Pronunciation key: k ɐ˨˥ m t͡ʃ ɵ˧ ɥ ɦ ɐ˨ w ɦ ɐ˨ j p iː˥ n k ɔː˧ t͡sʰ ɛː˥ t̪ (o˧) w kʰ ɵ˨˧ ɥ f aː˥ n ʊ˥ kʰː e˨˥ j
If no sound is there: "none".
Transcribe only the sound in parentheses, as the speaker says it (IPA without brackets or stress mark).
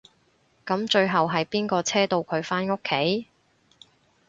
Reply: o˧